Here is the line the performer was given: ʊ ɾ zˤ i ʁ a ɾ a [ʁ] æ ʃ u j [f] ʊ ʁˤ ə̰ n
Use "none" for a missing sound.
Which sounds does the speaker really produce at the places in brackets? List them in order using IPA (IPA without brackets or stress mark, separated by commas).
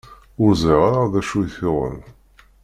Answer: ð, θ